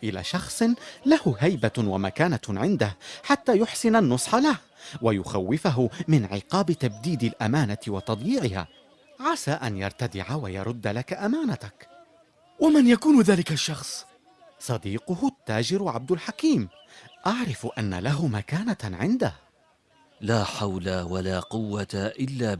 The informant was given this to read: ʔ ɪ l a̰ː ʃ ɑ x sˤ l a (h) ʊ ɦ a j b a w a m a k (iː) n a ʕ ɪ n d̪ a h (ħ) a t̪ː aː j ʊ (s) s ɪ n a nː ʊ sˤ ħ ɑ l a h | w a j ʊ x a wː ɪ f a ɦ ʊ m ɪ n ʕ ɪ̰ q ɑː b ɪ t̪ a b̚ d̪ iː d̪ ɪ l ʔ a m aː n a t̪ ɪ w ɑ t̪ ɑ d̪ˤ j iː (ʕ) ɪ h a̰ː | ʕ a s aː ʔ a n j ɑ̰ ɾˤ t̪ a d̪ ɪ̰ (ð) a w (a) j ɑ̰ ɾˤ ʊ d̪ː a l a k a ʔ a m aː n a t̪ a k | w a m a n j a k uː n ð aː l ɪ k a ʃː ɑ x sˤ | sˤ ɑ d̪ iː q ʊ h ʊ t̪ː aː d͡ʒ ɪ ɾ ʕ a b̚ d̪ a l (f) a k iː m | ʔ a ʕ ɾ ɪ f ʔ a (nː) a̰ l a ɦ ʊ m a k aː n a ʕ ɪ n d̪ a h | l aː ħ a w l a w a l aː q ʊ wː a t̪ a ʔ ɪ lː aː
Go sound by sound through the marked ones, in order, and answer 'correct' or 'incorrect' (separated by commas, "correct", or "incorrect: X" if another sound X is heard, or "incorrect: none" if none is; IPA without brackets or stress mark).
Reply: correct, incorrect: aː, correct, incorrect: ħ, correct, incorrect: ʕ, correct, incorrect: ħ, correct